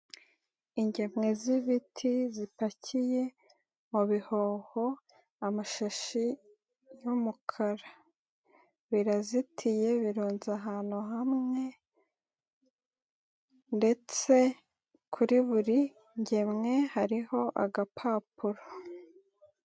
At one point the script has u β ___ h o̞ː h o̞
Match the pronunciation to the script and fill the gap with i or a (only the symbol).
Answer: i